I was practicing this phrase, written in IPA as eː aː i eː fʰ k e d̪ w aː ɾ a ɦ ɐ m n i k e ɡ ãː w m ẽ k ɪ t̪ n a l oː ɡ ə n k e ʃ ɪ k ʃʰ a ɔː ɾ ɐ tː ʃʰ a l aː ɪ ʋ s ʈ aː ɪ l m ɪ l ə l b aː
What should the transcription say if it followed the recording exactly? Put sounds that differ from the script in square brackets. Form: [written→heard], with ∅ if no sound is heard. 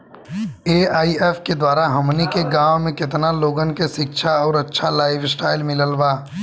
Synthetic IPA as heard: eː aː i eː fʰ k e d̪ w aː ɾ a ɦ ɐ m n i k e ɡ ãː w m ẽ k ɪ t̪ n a l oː ɡ ə n k e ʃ ɪ k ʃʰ a ɔː ɾ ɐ tː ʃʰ a l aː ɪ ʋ s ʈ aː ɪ l m ɪ l ə l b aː